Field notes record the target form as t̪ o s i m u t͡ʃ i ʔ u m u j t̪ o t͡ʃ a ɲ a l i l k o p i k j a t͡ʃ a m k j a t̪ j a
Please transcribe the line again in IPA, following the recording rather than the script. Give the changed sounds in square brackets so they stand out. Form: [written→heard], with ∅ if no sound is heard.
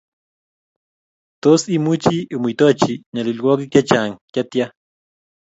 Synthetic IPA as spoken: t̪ o s i m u t͡ʃ i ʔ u m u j t̪ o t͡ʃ [a→i] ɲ a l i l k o [p→k] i k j a t͡ʃ a [m→ŋ] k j a t̪ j a